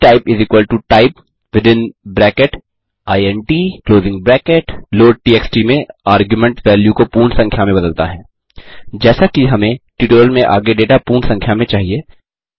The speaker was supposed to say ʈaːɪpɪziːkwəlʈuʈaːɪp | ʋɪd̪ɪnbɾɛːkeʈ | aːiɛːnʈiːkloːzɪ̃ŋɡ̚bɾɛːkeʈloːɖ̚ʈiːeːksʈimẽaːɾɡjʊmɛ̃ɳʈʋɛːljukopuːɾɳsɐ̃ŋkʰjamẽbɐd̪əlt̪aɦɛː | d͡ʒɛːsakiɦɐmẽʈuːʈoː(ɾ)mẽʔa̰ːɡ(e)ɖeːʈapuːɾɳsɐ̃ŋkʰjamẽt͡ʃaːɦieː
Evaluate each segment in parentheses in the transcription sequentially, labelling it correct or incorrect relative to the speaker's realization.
incorrect: l, correct

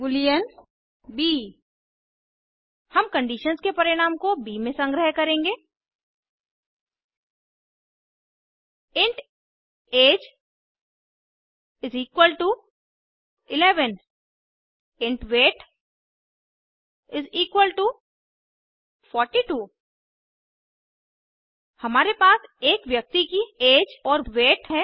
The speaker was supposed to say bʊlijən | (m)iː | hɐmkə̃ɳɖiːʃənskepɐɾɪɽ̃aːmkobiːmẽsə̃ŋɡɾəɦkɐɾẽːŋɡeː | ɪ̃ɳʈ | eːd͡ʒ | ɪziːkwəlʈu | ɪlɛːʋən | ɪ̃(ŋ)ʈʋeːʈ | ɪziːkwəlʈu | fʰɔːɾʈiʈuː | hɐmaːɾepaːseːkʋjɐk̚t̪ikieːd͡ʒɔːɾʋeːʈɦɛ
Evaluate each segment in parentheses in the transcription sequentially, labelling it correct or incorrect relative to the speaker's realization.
incorrect: b, incorrect: ɳ

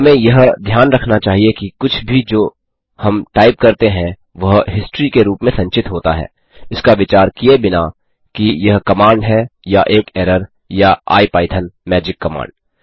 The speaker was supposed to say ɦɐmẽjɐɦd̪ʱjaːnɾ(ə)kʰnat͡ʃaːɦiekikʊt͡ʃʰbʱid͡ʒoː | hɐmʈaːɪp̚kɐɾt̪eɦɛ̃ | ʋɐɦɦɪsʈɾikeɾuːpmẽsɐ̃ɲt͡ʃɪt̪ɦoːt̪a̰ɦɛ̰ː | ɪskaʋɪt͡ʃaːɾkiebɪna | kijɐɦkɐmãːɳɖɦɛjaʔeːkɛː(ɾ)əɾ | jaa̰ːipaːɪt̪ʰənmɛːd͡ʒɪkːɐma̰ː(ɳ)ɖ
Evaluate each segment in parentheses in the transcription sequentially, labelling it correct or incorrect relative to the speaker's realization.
incorrect: ɐ, correct, correct

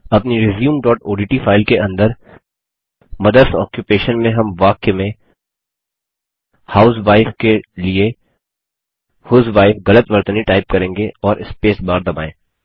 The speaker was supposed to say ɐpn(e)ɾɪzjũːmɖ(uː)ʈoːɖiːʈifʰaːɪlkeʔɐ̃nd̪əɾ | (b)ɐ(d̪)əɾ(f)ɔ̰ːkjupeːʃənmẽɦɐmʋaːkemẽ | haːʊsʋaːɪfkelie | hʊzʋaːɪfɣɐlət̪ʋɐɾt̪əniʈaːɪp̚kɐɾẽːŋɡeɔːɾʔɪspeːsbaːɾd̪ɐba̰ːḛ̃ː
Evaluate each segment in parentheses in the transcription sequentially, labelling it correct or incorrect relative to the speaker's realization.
incorrect: i, incorrect: ɔː, incorrect: m, correct, incorrect: s

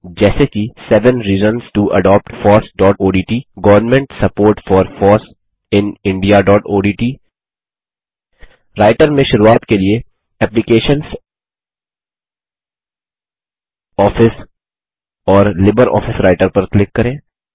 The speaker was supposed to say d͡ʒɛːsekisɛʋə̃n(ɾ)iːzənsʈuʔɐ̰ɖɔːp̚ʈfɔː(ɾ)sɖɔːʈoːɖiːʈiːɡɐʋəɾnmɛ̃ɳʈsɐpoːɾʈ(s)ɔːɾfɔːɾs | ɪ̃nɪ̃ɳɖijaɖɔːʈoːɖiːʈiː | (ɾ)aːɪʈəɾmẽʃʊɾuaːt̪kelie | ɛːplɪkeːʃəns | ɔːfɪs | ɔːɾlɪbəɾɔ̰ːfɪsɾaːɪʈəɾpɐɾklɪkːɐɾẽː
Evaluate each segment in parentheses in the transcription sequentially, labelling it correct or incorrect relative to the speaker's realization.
correct, correct, incorrect: f, correct

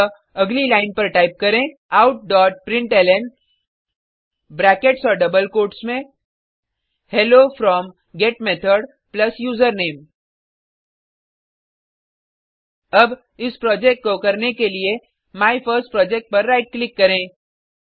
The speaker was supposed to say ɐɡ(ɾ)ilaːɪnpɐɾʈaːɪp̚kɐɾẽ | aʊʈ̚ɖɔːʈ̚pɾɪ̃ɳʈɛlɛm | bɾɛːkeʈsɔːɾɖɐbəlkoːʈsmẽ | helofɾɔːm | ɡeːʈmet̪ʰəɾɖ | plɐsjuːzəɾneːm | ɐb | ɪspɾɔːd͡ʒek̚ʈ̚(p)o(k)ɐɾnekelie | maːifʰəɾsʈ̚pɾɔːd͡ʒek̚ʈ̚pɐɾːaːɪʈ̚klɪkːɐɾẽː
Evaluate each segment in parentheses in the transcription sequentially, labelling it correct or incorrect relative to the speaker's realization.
incorrect: l, incorrect: k, correct

